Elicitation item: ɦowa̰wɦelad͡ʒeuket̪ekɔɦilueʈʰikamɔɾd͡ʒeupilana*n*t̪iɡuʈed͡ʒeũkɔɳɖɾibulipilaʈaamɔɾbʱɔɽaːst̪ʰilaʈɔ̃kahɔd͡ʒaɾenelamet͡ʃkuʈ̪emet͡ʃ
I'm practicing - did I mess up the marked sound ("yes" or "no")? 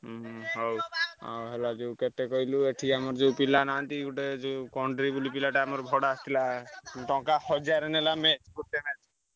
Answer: no